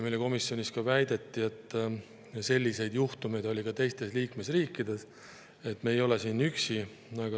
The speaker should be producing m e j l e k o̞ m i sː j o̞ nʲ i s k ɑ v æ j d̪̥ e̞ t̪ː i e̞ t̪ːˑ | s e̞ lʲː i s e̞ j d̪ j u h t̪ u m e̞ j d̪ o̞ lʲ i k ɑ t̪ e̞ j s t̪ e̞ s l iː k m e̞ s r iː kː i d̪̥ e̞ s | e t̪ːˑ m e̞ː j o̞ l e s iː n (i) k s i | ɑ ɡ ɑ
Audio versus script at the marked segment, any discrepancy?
yes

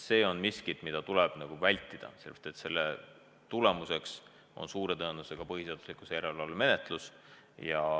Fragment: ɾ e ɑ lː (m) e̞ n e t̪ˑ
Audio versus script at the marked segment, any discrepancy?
no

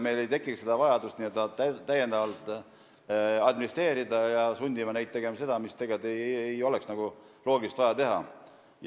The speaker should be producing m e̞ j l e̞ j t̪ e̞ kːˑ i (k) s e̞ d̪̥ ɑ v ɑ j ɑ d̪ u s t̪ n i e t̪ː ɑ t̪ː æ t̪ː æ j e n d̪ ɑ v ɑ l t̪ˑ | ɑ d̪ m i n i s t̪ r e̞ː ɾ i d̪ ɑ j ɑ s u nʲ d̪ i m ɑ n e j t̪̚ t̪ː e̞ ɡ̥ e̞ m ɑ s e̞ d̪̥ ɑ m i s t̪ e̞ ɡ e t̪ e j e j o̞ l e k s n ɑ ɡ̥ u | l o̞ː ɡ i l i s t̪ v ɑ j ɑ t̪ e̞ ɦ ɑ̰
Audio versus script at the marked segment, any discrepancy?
no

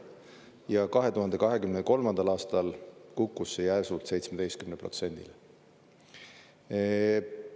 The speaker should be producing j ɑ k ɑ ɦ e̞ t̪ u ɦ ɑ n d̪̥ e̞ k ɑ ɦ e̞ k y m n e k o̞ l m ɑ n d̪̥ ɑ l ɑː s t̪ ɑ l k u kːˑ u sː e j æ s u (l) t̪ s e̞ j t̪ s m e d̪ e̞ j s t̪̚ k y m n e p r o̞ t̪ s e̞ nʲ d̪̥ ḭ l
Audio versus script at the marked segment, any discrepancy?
no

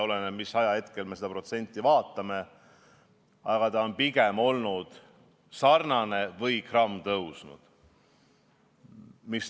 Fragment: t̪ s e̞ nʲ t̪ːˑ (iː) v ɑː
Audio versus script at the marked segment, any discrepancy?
yes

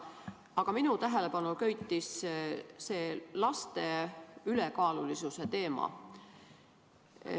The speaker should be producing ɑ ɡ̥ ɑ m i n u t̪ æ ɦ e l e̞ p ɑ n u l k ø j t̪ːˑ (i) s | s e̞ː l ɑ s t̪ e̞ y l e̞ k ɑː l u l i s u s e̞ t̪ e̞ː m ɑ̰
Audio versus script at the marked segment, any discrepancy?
no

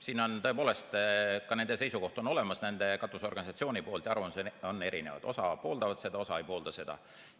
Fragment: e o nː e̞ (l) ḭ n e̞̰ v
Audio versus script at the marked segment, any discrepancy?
yes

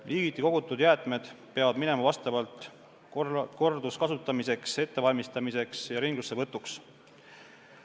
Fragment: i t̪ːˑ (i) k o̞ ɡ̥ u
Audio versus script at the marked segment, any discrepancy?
no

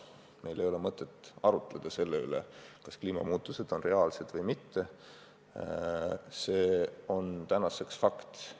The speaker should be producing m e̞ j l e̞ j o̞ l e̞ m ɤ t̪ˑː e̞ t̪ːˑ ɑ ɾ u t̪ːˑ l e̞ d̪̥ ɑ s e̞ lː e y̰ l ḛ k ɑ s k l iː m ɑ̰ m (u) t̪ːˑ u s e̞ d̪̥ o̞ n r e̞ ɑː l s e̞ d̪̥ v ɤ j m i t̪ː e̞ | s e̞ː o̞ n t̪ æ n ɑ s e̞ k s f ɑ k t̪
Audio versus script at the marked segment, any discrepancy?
yes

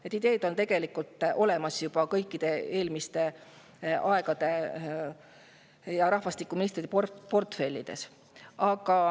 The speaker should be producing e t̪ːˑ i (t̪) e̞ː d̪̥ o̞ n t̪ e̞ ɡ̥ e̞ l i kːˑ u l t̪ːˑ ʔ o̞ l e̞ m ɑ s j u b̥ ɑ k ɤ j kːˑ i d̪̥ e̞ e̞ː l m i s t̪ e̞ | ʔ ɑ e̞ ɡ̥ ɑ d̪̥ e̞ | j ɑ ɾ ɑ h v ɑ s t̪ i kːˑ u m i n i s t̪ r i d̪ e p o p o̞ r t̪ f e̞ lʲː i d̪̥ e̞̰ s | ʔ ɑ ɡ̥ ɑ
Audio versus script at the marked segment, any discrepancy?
yes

